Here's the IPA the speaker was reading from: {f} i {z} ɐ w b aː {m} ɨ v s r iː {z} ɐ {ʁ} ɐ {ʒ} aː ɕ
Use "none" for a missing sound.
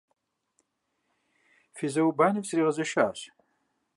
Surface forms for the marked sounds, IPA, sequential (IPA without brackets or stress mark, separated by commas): f, z, n, ʁ, z, ʃ